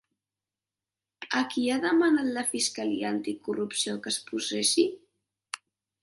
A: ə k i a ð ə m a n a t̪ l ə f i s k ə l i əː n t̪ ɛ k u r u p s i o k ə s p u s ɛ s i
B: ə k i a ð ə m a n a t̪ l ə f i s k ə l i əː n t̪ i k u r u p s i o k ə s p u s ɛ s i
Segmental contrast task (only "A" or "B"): B